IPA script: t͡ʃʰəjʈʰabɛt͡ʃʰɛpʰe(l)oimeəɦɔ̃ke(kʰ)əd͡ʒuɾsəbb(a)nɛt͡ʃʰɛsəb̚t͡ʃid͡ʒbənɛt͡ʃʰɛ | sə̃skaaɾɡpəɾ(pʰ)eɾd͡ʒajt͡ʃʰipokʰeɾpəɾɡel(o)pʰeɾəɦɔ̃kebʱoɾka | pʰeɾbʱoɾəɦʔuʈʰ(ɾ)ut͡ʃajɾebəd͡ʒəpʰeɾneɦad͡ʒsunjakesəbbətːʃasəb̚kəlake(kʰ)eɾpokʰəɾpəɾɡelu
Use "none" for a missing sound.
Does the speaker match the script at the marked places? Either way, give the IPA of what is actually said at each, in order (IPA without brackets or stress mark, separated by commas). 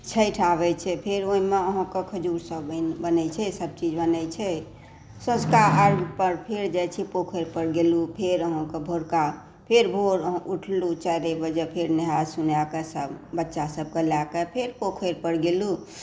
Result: ɾ, kʰ, ə, pʰ, u, l, pʰ